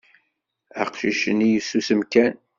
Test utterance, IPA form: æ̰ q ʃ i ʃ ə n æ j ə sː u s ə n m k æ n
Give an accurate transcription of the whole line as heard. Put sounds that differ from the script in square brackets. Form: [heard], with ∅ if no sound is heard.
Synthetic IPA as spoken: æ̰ q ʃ i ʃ ə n [i] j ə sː u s ə [∅] m k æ n